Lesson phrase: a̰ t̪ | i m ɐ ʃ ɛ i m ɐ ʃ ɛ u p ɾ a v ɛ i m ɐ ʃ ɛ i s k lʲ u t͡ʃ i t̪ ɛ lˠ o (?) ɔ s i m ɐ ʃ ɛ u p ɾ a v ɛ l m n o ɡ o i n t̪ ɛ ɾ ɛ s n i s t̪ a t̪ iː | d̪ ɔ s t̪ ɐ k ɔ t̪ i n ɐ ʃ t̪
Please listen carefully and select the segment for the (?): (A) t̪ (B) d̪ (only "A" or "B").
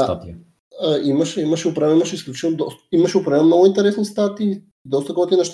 B